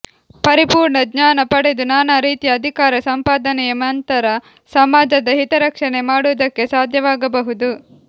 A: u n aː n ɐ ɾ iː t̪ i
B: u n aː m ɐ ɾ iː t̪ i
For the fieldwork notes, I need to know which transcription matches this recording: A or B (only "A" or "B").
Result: A